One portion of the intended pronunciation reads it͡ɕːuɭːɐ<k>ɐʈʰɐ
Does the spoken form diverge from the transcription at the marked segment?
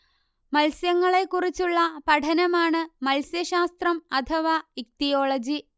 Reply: yes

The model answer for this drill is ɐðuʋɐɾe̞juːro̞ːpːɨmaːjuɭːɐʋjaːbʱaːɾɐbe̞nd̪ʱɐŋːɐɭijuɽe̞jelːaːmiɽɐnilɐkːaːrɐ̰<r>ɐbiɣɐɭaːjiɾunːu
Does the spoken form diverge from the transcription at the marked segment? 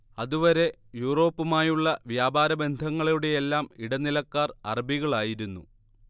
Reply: no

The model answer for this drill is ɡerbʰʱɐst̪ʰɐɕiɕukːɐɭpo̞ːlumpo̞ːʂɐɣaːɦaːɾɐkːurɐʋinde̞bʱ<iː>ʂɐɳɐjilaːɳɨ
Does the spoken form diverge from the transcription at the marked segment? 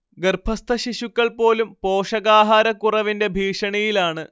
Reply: no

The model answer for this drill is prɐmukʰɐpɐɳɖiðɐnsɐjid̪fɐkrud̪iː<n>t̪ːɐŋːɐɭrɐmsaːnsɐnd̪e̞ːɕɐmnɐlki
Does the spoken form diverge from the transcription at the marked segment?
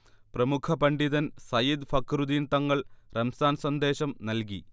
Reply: no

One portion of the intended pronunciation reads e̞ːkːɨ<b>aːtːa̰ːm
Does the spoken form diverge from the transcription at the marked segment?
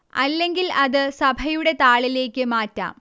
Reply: yes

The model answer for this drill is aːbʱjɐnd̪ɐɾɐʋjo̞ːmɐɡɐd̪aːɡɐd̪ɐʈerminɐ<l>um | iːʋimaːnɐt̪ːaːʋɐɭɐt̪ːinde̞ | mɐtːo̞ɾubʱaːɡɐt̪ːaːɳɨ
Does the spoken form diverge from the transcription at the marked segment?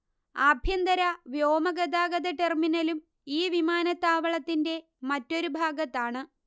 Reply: no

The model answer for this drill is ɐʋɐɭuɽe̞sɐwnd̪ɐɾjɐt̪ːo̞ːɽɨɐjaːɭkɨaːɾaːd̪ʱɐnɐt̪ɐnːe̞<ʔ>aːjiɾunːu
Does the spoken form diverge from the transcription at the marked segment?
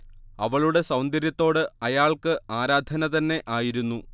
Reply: no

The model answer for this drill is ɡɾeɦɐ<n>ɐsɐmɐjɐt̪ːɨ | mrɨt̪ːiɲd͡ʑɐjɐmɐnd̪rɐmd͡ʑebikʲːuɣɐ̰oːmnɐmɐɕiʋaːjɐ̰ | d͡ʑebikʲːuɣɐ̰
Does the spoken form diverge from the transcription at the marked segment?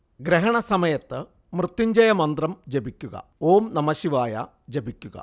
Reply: yes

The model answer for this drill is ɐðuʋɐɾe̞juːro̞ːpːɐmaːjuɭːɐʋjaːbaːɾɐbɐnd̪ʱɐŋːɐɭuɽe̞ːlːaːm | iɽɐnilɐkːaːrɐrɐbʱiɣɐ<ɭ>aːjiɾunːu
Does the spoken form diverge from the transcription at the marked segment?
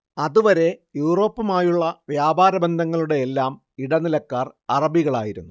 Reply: no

